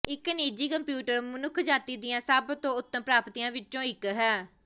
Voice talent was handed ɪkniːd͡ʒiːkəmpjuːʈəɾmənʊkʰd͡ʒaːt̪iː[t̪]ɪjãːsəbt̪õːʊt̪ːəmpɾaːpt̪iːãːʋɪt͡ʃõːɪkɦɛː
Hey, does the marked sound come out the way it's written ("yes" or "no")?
no